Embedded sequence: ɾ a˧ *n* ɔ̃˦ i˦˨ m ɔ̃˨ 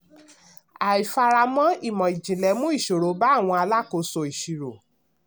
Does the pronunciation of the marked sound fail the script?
yes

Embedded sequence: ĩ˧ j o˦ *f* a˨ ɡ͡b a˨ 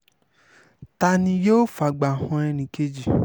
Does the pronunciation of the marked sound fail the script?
no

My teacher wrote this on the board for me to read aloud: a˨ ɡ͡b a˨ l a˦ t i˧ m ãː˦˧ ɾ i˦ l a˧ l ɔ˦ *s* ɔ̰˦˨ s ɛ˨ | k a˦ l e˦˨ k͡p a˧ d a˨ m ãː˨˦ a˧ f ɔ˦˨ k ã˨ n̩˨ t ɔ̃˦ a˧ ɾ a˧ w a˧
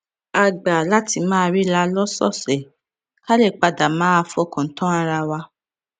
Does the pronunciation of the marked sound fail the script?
no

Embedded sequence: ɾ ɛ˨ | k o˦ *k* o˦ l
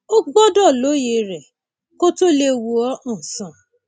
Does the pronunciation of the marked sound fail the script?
yes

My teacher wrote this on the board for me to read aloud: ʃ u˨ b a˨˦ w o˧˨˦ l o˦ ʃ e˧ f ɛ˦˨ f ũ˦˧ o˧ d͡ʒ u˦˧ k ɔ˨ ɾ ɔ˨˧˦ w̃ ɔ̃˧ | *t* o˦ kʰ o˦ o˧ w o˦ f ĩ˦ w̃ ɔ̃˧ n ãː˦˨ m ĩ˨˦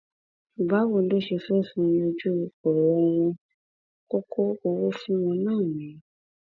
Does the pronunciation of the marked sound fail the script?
yes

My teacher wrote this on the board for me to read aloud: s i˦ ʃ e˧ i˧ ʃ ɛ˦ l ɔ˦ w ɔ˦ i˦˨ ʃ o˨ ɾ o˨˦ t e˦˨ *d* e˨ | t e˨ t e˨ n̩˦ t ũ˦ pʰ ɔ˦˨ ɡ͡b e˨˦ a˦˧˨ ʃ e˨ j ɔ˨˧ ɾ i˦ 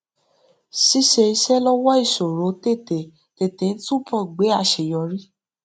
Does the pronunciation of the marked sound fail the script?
yes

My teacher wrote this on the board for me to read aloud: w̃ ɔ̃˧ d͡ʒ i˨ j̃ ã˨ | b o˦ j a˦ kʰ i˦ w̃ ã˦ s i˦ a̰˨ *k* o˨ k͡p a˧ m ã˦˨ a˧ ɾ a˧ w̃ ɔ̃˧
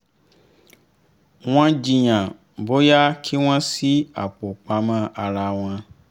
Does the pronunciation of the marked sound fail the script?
yes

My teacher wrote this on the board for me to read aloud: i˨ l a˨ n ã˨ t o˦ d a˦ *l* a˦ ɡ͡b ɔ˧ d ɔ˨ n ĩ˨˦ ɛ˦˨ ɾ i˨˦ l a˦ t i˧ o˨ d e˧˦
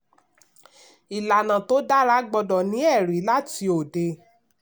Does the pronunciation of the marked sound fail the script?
yes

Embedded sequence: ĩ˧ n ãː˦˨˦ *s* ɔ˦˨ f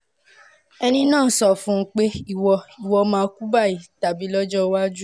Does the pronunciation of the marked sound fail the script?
no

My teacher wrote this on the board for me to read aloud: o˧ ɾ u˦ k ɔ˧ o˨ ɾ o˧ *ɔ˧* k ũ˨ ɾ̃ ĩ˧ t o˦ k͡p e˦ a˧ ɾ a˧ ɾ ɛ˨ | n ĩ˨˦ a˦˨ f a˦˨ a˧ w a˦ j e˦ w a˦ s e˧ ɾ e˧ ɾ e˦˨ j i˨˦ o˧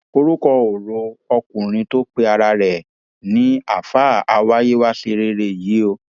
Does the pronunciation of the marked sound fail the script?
no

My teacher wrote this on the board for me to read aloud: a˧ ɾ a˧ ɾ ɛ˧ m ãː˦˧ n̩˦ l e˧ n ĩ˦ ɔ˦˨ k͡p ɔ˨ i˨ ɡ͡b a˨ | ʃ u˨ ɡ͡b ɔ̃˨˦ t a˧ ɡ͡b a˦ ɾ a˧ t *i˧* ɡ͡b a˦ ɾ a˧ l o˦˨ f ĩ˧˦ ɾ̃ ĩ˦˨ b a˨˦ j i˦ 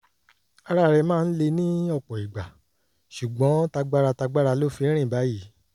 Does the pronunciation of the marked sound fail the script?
yes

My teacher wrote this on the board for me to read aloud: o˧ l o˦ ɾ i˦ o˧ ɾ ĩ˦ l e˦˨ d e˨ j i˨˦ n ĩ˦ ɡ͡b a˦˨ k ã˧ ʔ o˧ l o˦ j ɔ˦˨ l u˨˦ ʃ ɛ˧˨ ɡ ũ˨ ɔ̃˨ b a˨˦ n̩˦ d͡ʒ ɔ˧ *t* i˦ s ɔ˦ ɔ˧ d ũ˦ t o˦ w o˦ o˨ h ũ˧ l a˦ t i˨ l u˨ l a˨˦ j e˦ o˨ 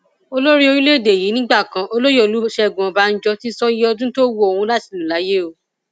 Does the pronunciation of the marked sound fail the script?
no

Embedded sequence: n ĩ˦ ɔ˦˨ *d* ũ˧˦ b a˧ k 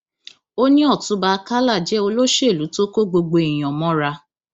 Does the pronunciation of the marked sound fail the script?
yes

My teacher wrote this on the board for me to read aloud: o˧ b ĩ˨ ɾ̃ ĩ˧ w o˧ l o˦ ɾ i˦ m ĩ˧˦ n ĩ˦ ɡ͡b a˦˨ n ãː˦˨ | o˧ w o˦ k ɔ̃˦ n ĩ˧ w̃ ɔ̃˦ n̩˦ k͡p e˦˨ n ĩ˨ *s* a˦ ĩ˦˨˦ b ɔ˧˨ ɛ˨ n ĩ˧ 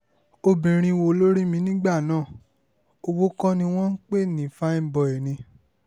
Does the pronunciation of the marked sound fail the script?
yes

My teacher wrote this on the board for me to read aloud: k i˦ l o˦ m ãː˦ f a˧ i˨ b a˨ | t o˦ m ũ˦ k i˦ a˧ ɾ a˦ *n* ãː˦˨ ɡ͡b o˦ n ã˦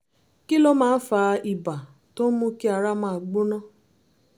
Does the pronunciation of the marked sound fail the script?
yes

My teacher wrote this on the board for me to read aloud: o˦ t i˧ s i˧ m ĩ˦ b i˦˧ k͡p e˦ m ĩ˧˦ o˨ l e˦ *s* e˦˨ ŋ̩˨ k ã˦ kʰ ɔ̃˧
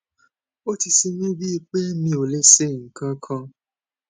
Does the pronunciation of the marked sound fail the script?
no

